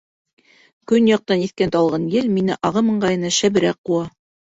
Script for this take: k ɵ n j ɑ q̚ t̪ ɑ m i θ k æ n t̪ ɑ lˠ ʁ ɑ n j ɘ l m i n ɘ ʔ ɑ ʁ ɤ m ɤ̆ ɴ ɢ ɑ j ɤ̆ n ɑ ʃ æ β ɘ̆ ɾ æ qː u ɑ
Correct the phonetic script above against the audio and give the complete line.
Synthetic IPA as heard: k ɵ n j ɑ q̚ t̪ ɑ n i θ k æ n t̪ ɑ lˠ ʁ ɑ n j ɘ l m i n ɘ ʔ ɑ ʁ ɤ m ɤ̆ ɴ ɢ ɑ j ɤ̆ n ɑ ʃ æ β ɘ̆ ɾ æ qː u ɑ